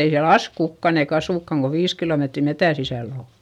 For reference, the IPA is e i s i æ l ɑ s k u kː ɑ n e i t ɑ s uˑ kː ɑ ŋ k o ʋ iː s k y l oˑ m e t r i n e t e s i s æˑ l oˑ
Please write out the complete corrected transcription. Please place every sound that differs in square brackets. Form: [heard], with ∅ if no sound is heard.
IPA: e i s i æ l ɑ s k u kː ɑ n e i [k] ɑ s uˑ kː ɑ ŋ k o ʋ iː s k [i] l oˑ m e t r i [m] e t [æ] s i s æˑ l oˑ

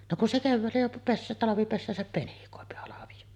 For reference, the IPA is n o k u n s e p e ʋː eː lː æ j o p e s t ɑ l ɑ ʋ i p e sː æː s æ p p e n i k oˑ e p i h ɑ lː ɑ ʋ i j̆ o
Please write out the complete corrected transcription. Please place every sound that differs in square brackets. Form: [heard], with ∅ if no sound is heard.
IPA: n o k u n s e [k] e ʋː [æː] lː æ j o p e s t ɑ l ɑ ʋ i p e sː æː s æ p p e n i k oˑ e p i h ɑ [l] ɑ ʋ i j̆ o

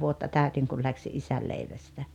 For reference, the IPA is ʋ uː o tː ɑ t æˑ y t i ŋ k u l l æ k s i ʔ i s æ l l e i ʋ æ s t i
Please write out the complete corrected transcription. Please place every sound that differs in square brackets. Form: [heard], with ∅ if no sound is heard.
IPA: ʋ [u] o tː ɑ t æˑ y t i ŋ k u l l æ k s i ʔ i s æ l l e i ʋ æ s t [æ]

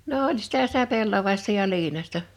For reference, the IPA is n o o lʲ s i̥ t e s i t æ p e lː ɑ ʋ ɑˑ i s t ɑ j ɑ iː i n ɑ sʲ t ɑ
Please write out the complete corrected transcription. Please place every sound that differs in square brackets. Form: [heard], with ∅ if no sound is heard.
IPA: n o o lʲ s i̥ t [æ] s i t æ p e lː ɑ ʋ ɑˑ i s t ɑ j ɑ iː i n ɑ sʲ t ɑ

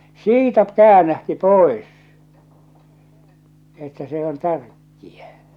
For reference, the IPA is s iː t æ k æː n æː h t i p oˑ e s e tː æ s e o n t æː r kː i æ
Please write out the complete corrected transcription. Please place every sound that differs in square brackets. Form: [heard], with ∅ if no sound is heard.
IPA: s iː t æ k æː n [æ] h t i p oˑ e s e tː æ s e o n t [æ] r kː i æ

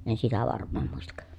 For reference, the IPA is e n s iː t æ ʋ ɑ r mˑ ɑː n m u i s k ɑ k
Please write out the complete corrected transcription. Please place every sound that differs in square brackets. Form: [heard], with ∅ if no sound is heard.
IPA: e n s [i] t æ ʋ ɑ r mˑ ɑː [m] m u i s [t] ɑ k

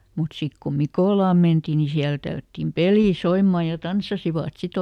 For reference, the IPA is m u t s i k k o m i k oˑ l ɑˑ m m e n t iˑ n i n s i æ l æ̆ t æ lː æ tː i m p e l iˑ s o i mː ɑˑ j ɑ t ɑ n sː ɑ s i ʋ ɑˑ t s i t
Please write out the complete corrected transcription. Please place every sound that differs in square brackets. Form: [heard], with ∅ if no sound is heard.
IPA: m u t s i k k o m i k oˑ l ɑˑ m m e n t iˑ n i [∅] s i æ l æ̆ t æ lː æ tː i m p e l iˑ s o i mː ɑˑ j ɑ t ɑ n sː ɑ s i ʋ ɑˑ t s i t

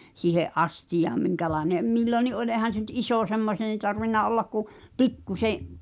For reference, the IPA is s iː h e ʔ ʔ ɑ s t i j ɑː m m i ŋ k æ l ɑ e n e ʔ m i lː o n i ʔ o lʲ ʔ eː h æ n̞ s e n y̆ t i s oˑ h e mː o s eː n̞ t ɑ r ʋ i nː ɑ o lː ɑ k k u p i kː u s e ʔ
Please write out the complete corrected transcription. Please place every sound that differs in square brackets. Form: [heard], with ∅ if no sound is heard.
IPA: s iː h e ʔ ʔ ɑ s t i j ɑː m m i ŋ k æ l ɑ e n e ʔ m i lː o n i ʔ o lʲ ʔ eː h æ n̞ s e n y̆ t i s oˑ [s] e mː o s eː n̞ t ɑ r ʋ i nː ɑ o lː ɑ k k u p i kː u s e ʔ

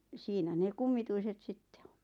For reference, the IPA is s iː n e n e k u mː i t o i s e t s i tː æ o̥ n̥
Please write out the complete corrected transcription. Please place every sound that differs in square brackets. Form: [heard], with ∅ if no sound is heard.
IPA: s iː n [æ] n e k u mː i t [u] i s e t s i tː [e] o̥ n̥

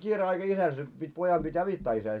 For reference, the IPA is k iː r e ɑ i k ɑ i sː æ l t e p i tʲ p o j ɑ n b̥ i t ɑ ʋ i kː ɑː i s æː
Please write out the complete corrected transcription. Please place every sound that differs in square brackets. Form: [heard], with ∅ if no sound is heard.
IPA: k iː r e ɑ i k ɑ i [s] æ l [s] e p i tʲ p o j ɑ [m] b̥ i t ɑ ʋ i [tː] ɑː i s æː

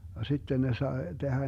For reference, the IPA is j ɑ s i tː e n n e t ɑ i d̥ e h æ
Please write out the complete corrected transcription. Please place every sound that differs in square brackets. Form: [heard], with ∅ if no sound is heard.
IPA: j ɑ s i tː e n n e [s] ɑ [e] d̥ e h æ

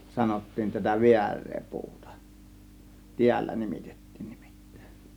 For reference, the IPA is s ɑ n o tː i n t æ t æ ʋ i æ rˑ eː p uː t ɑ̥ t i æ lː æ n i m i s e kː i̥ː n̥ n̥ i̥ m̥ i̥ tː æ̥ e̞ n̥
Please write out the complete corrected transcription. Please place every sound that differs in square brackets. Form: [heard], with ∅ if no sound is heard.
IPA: s ɑ n o tː [iː] n t æ t æ ʋ i æ rˑ eː p uː t ɑ̥ t i æ lː æ n i m i [t] e [tː] i̥ː n̥ n̥ i̥ m̥ i̥ tː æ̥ e̞ n̥

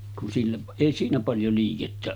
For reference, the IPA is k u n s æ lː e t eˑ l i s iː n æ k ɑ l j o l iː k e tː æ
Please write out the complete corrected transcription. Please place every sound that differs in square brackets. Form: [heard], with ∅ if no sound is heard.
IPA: k u n s [i] lː e [ʔ] eˑ [∅] i s iː n æ [p] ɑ l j o l iː k e tː æ

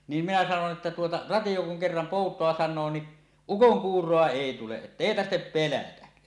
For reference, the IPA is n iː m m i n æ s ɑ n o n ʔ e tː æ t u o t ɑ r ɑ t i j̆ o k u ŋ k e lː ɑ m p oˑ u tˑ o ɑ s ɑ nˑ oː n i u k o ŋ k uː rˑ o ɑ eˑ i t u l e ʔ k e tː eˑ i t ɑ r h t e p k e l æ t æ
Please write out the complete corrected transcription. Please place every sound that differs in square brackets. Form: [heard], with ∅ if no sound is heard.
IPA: n iː m m i n æ s ɑ n o n ʔ e tː æ t u o t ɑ r ɑ t i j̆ o k u ŋ k e [rː] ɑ m p oˑ u tˑ o ɑ s ɑ nˑ oː n i u k o ŋ k uː rˑ o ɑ eˑ i t u l e ʔ [ʔ] e tː eˑ i t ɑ r h t e p [p] e l æ t æ

